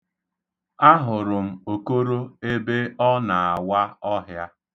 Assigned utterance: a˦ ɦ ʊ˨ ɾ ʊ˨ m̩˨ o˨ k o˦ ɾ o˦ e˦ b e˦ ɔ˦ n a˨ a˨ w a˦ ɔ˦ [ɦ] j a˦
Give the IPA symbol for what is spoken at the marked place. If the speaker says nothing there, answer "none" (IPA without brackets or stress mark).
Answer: ɦ